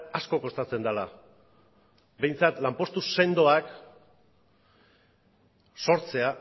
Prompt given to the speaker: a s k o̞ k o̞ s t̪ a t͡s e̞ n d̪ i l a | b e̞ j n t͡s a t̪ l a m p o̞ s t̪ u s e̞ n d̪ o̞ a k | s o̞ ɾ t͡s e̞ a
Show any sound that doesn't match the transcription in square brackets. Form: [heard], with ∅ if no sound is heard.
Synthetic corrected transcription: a s k o̞ k o̞ s t̪ a t͡s e̞ n d̪ [a] l a | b e̞ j n t͡s a t̪ l a m p o̞ s t̪ u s e̞ n d̪ o̞ a k | s o̞ ɾ t͡s e̞ a